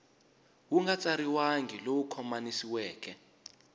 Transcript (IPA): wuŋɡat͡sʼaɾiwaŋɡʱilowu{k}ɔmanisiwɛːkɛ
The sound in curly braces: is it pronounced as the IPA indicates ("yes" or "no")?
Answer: no